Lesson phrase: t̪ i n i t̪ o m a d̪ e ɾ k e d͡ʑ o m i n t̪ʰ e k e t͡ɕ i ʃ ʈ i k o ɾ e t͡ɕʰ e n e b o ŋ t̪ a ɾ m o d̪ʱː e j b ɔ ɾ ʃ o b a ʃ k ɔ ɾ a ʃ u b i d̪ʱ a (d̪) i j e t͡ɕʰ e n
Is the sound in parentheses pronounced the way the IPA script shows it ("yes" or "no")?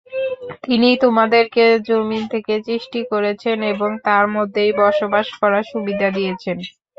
yes